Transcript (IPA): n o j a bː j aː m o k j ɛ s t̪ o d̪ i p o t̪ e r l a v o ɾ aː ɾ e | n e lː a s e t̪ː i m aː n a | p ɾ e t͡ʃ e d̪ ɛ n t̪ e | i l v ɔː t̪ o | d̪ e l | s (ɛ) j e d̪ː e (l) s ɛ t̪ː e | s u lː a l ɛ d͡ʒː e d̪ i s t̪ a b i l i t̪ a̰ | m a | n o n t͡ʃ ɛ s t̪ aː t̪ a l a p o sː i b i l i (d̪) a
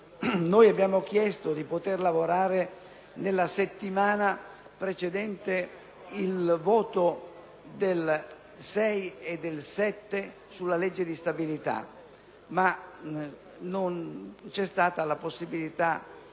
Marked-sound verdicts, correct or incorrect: correct, correct, incorrect: t̪

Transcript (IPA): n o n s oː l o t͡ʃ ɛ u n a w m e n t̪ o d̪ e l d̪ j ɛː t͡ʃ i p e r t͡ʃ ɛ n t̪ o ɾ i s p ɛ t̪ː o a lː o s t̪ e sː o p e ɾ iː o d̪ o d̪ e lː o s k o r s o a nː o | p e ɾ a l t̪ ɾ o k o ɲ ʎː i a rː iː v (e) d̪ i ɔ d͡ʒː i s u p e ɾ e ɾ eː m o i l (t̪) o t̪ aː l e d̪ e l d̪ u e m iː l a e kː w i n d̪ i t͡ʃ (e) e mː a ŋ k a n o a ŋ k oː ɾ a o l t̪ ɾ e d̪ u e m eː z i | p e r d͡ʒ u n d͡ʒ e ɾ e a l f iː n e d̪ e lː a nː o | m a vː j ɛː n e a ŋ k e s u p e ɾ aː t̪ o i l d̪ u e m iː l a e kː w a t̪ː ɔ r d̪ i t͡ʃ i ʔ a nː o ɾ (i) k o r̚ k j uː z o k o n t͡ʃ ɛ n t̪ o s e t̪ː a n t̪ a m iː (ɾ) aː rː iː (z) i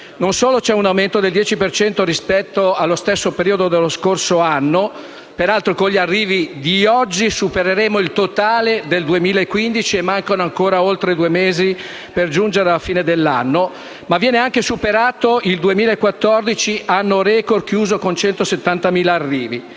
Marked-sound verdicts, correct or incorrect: incorrect: i, correct, incorrect: i, incorrect: ɛ, incorrect: l, incorrect: v

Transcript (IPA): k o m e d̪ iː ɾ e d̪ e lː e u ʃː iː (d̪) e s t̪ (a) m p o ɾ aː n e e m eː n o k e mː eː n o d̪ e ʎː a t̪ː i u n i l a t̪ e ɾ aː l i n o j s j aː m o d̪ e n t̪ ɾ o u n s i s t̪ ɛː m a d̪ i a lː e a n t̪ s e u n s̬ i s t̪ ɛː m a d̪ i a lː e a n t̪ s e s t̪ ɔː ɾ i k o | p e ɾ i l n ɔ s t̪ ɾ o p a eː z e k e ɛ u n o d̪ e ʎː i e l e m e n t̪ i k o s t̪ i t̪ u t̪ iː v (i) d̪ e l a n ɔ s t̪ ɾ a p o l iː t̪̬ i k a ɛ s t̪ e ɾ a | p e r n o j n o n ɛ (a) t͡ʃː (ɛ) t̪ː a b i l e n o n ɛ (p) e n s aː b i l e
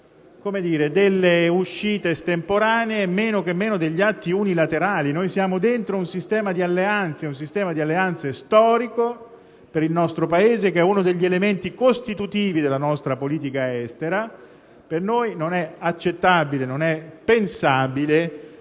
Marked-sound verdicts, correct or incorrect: incorrect: t̪, incorrect: e, correct, correct, incorrect: e, correct

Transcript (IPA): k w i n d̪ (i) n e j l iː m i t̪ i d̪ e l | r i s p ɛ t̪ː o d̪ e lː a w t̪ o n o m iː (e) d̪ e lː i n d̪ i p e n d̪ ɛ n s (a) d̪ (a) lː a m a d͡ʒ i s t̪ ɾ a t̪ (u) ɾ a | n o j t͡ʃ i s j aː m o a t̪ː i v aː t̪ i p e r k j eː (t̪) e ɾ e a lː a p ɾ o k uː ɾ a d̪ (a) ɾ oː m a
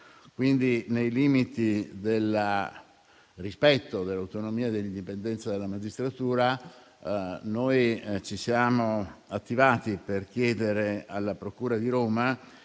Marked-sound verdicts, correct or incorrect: correct, incorrect: a, correct, incorrect: e, incorrect: uː, incorrect: d̪, incorrect: i

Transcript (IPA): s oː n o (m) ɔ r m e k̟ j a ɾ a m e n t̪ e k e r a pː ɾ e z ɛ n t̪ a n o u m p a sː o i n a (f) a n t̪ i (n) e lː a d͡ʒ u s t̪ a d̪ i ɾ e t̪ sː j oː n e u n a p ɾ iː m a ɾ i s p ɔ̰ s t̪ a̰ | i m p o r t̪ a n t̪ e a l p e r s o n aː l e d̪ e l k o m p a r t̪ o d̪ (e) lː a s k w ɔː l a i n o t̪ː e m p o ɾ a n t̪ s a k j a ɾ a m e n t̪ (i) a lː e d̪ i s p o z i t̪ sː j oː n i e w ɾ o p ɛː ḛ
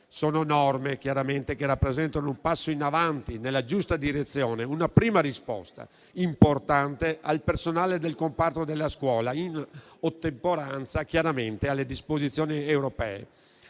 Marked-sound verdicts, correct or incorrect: incorrect: n, incorrect: v, correct, correct, incorrect: e

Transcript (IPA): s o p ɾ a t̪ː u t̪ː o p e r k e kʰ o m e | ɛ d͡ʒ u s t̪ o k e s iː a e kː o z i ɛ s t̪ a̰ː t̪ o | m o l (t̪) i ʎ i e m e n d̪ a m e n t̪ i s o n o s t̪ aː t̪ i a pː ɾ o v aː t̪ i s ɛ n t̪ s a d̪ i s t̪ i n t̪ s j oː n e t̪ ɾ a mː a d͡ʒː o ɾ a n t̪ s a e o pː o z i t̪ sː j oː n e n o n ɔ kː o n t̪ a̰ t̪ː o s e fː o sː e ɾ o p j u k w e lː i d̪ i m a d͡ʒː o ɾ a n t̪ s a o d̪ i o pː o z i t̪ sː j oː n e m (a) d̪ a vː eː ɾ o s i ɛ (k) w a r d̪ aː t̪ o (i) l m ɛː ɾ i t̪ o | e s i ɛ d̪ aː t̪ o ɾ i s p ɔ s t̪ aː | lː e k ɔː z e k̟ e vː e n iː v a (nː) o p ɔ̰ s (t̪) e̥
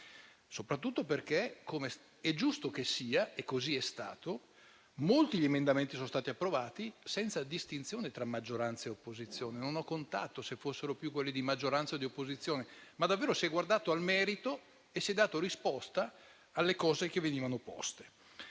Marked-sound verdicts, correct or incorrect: correct, correct, incorrect: ɡ, incorrect: a, incorrect: n, correct

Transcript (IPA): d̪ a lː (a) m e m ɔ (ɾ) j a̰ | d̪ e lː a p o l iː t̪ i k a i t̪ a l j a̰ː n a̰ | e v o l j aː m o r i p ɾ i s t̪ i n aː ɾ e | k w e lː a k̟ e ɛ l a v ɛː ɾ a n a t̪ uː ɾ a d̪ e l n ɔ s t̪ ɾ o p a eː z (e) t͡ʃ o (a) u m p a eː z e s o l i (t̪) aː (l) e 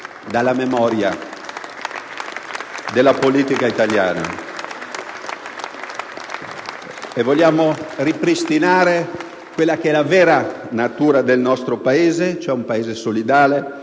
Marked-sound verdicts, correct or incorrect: correct, correct, correct, incorrect: ɛ, incorrect: d̪, correct

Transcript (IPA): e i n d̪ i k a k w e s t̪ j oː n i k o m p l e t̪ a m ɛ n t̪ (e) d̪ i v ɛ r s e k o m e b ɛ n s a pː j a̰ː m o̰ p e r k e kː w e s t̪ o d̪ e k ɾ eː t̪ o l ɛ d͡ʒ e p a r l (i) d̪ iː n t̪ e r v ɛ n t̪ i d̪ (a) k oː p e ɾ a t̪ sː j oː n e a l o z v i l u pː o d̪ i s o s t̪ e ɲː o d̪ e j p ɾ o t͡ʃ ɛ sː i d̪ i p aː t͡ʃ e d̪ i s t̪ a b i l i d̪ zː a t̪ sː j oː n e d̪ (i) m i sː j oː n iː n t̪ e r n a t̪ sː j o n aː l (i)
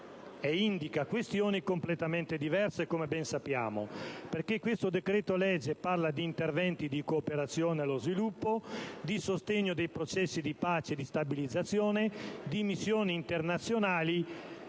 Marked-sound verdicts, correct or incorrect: correct, incorrect: a, incorrect: i, correct, correct

